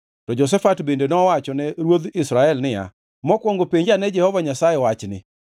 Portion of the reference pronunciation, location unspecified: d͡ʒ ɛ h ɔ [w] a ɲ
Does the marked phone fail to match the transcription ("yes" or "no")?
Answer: yes